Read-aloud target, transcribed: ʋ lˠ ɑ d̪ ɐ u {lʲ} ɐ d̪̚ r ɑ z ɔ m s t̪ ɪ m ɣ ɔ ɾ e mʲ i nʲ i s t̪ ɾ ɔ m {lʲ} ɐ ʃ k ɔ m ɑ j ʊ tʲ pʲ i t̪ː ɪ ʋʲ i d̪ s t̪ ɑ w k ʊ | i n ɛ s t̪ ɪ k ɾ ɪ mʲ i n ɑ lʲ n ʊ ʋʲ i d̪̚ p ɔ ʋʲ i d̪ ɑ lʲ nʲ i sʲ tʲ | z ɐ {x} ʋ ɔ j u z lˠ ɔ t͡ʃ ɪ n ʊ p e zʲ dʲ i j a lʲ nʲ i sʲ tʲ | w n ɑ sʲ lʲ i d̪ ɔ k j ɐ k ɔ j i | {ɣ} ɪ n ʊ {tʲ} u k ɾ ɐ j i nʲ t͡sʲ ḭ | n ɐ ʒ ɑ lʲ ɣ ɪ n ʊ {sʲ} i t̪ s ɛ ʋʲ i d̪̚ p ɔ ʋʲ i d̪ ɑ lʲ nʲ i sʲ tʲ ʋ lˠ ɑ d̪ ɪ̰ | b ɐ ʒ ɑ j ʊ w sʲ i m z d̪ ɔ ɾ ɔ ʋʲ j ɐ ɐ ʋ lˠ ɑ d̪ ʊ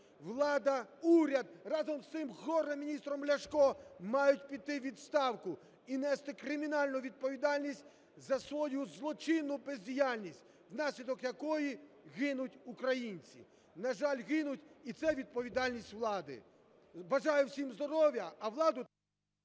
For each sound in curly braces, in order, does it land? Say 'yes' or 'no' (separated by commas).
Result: no, yes, no, yes, yes, no